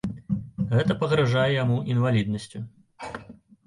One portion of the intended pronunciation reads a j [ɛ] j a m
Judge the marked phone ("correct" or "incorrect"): correct